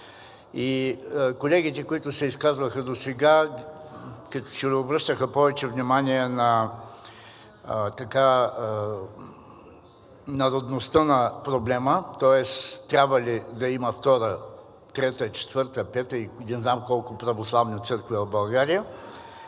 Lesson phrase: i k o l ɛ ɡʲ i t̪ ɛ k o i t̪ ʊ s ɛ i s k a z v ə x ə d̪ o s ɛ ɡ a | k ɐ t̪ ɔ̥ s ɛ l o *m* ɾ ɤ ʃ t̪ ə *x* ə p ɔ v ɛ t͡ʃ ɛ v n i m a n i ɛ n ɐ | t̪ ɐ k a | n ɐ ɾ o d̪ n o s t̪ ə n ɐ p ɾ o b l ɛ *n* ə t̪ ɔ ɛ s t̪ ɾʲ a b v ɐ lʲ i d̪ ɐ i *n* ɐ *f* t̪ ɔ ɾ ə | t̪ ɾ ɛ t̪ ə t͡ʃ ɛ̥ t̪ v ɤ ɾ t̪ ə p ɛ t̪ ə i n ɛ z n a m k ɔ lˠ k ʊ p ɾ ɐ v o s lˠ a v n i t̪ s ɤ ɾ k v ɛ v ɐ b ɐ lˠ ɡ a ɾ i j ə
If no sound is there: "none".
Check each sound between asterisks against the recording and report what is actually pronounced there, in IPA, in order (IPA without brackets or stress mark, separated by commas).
b, x, m, m, f